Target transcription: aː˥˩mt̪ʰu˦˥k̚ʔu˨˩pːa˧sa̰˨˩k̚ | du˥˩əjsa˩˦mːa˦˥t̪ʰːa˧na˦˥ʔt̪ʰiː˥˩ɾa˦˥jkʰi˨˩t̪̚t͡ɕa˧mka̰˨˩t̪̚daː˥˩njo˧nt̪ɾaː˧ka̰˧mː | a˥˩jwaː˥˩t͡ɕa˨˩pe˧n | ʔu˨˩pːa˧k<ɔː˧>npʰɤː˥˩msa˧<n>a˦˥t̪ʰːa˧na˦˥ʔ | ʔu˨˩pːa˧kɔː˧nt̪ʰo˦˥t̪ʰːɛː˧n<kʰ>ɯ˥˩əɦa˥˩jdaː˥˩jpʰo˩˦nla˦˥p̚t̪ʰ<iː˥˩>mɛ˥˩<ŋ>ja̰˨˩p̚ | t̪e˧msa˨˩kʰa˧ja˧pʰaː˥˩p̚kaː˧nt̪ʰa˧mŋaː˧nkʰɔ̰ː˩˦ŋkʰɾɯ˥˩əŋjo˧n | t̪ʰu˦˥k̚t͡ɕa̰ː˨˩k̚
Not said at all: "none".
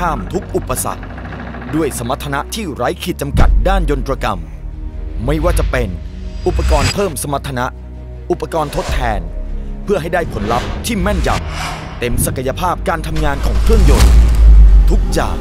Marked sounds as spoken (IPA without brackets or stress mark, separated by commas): ɔː˧, m, pʰ, iː˥˩, n